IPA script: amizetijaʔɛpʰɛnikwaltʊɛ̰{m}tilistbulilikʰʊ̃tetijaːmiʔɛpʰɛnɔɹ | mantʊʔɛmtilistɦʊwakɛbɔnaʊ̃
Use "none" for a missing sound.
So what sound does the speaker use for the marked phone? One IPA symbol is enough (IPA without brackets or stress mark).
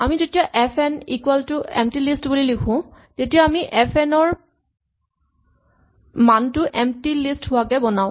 m